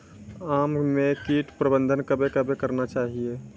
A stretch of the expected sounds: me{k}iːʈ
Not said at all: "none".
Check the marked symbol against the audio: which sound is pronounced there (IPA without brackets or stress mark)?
k